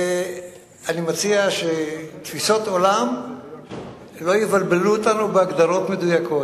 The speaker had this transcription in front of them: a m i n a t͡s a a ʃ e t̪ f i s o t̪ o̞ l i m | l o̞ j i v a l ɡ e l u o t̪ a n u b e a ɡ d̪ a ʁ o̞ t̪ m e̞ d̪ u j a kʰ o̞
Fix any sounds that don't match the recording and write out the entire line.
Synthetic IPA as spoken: a n i m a t͡s i a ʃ e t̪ f i s o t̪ o̞ l a m | l o̞ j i v a l b e l u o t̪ a n u b e a ɡ d̪ a ʁ o̞ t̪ m e̞ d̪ u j a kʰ o̞